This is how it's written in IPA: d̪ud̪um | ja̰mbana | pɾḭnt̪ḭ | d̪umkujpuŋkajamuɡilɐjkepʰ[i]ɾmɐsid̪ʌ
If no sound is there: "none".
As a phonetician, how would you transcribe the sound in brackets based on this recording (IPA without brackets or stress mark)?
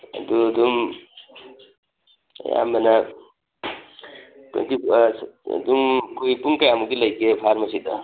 a